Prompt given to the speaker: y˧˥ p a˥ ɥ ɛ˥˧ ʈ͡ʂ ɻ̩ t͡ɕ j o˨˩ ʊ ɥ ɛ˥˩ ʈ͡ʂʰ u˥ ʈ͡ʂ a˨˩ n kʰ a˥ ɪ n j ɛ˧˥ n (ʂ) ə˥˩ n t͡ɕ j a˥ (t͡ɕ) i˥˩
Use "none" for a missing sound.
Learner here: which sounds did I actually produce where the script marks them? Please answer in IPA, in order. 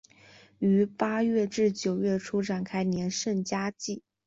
ʂ, t͡ɕ

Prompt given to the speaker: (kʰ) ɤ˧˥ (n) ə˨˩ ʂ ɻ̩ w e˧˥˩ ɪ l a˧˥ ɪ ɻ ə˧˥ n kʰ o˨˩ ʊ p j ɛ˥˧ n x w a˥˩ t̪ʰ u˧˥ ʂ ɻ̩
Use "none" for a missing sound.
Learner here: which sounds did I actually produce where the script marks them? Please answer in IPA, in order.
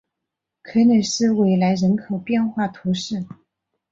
kʰ, n

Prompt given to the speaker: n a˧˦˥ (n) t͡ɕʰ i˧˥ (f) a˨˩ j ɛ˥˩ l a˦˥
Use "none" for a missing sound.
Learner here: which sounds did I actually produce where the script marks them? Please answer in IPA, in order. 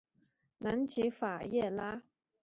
n, f

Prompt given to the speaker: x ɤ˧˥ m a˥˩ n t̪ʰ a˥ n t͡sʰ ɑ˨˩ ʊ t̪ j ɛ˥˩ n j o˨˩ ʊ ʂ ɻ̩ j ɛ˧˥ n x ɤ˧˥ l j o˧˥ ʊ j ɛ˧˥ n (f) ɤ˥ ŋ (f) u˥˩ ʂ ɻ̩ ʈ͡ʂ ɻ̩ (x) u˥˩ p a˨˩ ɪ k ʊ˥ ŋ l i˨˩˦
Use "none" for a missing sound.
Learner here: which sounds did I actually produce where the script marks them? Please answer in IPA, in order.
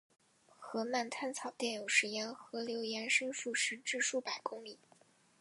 ʂ, ʂ, ʂ

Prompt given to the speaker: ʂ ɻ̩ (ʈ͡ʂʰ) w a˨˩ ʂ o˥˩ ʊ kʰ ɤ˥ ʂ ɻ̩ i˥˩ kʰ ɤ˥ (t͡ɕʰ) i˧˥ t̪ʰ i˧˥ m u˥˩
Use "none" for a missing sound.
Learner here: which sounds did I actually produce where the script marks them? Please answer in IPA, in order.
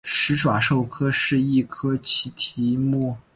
ʈ͡ʂ, t͡ɕʰ

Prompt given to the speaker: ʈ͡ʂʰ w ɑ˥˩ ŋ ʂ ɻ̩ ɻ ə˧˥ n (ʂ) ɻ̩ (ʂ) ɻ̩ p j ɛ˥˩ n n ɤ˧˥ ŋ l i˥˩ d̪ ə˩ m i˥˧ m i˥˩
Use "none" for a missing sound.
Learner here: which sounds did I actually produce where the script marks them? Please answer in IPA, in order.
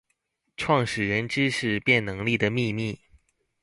ʈ͡ʂ, ʂ

